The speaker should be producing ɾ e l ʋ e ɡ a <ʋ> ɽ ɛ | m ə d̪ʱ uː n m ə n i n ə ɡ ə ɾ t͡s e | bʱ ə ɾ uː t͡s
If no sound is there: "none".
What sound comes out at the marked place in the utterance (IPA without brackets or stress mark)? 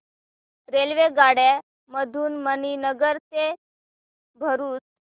none